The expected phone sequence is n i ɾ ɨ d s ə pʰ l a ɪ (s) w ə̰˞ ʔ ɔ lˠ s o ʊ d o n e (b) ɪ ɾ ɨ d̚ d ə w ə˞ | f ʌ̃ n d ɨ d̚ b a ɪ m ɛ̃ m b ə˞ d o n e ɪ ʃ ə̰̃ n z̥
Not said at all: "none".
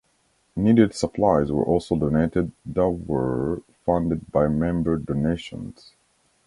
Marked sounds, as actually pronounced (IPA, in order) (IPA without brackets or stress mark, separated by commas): z, none